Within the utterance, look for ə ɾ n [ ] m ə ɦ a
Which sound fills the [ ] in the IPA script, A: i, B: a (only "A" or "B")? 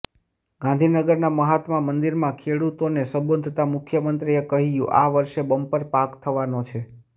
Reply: B